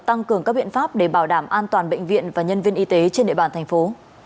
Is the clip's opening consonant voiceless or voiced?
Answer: voiceless